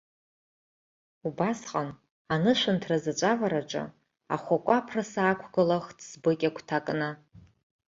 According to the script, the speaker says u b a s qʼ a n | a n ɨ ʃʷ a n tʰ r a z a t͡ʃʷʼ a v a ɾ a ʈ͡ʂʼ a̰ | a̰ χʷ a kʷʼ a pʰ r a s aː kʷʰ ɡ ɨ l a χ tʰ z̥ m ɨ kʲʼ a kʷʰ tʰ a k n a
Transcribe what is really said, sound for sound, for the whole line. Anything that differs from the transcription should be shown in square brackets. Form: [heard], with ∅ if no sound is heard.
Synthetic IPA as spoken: u b a s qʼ a n | a n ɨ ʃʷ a n tʰ r a z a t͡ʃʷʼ a v a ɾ a ʈ͡ʂʼ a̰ | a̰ χʷ a kʷʼ a pʰ r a s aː kʷʰ ɡ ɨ l a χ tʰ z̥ [b] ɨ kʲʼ a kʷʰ tʰ a [kʼ] n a